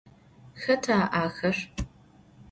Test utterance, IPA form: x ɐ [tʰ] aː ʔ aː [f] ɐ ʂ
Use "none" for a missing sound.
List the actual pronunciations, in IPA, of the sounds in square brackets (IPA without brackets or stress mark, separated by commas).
tʰ, x